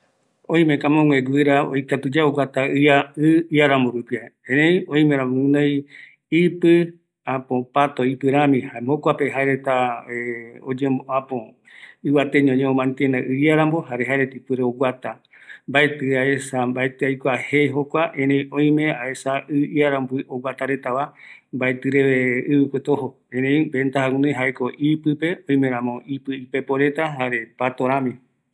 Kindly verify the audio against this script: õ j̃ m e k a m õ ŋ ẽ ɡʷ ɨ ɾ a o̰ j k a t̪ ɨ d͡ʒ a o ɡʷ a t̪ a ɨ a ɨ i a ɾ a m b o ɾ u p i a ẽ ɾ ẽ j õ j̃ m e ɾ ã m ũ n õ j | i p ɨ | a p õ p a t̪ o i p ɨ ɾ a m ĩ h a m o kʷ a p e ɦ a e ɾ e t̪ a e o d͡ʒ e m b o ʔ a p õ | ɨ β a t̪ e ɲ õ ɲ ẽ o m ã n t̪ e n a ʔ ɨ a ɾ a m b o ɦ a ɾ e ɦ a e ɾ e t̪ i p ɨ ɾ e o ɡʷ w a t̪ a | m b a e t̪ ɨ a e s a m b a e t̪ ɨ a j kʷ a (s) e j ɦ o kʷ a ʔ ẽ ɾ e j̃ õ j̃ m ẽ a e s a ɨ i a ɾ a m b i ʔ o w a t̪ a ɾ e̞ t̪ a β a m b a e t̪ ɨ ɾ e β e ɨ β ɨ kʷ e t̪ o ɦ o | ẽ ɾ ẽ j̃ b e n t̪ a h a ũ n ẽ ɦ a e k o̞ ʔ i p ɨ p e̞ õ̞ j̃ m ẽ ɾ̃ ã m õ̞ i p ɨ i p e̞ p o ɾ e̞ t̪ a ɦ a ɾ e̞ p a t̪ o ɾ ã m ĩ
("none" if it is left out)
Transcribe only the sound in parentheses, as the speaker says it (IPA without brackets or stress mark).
h